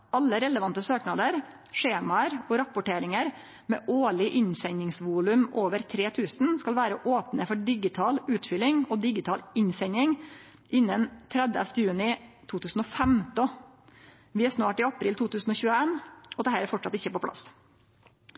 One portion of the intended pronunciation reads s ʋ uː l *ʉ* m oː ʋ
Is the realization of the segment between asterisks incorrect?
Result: no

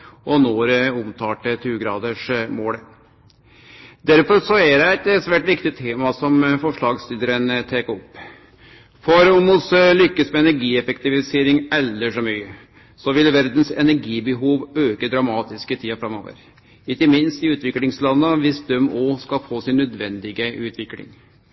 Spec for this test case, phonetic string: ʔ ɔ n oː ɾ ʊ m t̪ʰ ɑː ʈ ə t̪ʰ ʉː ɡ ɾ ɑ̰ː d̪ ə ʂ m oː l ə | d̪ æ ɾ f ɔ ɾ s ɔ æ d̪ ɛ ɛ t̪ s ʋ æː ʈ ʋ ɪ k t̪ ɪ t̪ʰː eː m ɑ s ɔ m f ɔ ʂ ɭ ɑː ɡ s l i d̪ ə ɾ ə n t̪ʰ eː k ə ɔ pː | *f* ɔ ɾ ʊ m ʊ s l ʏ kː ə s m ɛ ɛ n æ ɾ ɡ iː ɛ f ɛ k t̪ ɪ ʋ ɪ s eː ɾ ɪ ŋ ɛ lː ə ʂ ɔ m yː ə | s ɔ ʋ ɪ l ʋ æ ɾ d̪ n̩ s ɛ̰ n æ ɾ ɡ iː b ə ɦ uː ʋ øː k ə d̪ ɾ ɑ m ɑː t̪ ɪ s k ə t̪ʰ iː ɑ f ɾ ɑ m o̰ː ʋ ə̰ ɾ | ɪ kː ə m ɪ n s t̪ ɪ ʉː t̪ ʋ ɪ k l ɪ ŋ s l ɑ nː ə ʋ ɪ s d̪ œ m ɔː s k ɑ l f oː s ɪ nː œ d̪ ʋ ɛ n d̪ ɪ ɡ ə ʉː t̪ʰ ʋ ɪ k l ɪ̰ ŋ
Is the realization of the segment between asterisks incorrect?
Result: no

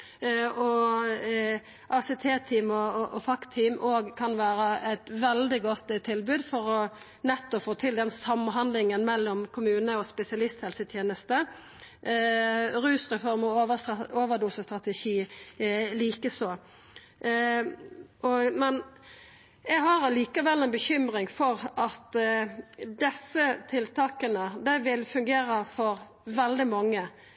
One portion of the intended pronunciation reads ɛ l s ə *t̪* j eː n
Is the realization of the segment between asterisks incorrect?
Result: yes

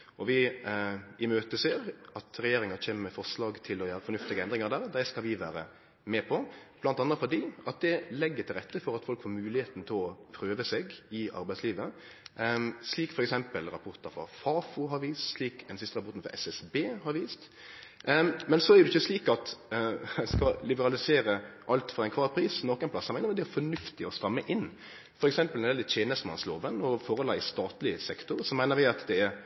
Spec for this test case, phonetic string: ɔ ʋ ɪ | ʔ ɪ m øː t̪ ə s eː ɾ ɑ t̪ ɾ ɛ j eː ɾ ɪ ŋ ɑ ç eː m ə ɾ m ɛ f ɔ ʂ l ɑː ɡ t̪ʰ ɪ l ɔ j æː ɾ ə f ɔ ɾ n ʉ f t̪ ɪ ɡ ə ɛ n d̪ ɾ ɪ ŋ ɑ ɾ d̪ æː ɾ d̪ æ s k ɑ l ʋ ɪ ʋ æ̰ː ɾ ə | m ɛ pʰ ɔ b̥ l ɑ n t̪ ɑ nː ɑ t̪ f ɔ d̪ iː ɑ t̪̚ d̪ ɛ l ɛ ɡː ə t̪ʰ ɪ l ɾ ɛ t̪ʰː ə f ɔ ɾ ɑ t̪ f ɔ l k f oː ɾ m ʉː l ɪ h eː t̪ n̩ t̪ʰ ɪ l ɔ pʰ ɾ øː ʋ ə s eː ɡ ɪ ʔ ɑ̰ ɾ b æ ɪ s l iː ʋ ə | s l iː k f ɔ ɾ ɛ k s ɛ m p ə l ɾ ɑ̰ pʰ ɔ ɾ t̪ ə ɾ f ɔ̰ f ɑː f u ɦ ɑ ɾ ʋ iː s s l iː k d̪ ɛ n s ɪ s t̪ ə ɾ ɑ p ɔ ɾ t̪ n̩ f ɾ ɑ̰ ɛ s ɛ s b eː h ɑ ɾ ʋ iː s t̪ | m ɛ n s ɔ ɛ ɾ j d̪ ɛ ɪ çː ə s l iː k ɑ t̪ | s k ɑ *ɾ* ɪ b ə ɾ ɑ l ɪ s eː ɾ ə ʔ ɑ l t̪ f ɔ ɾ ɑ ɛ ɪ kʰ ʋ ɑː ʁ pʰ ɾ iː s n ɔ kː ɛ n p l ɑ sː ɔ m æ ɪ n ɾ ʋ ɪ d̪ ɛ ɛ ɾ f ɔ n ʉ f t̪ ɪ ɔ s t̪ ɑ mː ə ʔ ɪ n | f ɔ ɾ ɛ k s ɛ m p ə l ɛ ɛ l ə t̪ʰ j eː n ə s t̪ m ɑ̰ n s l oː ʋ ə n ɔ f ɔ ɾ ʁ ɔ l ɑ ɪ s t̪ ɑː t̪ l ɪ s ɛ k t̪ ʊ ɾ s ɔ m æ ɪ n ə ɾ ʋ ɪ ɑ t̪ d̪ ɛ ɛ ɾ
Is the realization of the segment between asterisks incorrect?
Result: yes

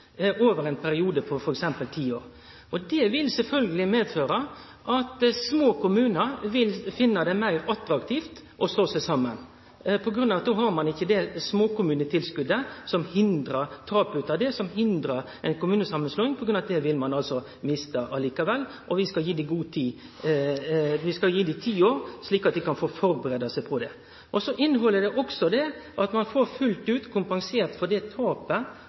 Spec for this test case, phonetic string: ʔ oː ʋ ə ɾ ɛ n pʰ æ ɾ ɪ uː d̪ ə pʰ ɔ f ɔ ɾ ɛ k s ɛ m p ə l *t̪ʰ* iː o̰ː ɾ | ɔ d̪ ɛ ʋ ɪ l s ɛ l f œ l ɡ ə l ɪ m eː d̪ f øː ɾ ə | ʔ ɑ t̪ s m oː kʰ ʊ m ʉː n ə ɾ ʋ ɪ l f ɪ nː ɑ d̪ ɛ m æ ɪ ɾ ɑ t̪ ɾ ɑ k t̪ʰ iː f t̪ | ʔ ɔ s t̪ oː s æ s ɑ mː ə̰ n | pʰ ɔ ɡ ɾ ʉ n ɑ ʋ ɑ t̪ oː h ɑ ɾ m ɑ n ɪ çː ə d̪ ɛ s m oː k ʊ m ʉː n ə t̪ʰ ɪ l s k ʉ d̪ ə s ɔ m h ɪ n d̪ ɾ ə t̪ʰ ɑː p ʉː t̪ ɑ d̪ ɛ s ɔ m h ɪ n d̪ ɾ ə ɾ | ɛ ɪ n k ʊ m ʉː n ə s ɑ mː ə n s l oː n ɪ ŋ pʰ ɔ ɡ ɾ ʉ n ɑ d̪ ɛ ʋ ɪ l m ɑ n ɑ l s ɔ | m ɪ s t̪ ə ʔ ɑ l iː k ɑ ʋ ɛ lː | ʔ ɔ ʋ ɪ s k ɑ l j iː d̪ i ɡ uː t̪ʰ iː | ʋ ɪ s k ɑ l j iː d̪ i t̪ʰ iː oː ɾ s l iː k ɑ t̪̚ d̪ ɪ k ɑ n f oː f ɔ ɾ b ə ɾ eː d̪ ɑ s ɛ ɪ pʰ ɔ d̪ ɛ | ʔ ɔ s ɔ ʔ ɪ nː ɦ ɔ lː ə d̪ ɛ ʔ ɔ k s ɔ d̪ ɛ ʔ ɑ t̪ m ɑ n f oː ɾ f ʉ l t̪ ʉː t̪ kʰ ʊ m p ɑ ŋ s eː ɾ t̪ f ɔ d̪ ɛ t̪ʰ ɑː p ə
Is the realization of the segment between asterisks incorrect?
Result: no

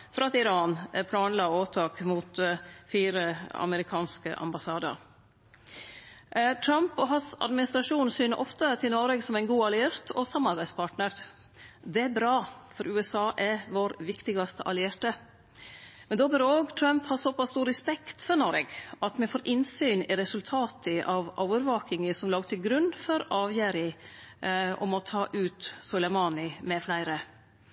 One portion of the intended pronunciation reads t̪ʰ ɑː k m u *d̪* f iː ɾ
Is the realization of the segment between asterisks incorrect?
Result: yes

